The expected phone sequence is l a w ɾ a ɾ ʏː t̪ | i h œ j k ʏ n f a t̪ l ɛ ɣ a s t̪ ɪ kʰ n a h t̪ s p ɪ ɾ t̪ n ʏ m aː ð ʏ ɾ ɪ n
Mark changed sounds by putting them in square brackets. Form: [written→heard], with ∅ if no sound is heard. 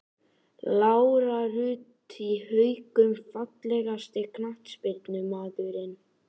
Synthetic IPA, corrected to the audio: l a w ɾ a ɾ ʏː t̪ | i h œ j k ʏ [n→m] f a t̪ l ɛ ɣ a s t̪ ɪ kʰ n a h t̪ s p ɪ ɾ t̪ n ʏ m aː ð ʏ ɾ ɪ n